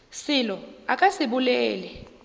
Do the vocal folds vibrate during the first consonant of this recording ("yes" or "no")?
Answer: no